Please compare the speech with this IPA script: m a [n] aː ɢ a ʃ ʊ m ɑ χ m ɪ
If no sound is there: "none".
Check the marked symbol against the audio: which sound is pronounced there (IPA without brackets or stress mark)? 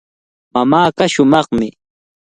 m